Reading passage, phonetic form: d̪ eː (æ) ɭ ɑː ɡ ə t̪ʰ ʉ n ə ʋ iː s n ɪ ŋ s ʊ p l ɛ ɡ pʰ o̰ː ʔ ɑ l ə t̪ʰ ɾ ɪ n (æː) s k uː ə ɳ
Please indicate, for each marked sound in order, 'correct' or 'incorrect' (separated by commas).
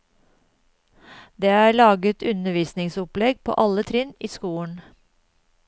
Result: incorrect, incorrect